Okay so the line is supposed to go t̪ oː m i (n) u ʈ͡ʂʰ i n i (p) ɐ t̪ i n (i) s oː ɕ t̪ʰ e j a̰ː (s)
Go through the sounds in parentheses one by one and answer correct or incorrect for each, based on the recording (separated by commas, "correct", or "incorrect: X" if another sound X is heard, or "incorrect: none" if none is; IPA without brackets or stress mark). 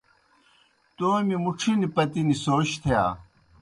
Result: incorrect: m, correct, correct, incorrect: none